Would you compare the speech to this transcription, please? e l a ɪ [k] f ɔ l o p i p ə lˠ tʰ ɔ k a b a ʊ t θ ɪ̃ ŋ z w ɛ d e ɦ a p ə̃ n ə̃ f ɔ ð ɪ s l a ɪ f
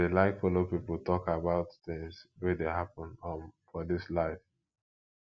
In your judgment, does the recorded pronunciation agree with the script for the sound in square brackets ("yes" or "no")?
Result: yes